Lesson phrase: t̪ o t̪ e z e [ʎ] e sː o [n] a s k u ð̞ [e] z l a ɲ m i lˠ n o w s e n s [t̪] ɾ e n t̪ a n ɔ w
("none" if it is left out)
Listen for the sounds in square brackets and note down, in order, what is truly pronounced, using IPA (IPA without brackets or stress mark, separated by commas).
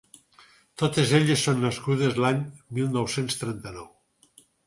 ʎ, nː, e, t̪